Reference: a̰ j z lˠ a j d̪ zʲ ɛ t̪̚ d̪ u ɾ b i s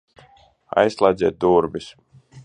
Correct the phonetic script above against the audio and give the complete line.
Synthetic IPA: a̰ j s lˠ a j d̪ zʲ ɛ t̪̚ d̪ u ɾ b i s